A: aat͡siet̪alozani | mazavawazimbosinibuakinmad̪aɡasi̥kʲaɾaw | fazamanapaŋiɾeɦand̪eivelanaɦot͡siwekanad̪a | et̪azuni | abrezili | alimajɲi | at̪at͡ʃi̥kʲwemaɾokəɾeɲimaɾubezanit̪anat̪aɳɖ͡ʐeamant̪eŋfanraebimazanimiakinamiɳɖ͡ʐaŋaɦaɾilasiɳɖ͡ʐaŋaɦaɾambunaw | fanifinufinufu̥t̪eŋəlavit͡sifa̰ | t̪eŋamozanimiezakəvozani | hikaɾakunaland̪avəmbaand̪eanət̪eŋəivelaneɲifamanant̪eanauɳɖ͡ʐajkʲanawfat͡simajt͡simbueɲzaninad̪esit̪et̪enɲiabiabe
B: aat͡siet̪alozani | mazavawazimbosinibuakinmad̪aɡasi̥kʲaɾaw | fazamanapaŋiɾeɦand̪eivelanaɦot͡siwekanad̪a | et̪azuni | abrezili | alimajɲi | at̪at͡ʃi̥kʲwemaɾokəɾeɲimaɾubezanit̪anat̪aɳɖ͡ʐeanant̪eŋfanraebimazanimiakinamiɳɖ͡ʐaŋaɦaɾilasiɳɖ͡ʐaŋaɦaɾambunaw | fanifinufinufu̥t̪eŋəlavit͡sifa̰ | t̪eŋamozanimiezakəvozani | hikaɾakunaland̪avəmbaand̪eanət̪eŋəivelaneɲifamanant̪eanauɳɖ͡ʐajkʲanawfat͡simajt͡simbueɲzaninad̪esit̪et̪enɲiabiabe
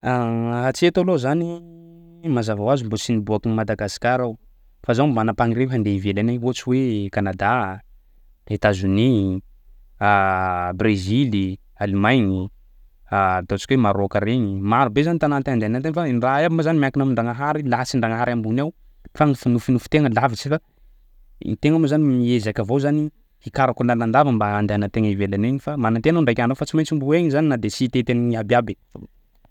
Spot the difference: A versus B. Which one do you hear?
B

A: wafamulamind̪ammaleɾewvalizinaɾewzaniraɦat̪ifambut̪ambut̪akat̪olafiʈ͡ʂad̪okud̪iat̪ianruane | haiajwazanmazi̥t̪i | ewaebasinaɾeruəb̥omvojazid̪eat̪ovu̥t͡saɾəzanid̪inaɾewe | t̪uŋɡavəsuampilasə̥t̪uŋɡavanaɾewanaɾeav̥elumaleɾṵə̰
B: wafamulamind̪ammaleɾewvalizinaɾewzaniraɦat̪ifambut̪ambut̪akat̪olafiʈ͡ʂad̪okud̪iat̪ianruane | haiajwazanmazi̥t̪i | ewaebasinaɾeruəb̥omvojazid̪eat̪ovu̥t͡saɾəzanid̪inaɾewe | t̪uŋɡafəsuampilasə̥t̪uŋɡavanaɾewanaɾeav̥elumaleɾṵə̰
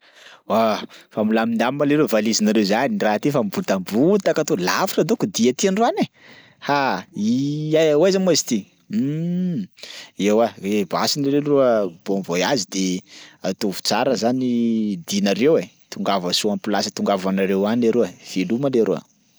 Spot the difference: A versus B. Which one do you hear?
A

